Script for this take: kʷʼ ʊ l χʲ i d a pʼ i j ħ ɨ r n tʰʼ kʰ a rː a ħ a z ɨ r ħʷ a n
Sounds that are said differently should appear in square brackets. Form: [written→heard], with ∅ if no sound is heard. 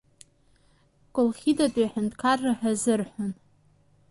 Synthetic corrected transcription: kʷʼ ʊ l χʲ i d a [pʼ→tʼ] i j ħ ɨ [r→∅] n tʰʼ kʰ a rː a ħ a z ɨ r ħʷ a n